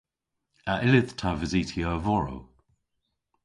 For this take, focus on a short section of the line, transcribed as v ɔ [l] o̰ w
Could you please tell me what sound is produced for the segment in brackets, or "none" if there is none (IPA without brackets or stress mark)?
ɹ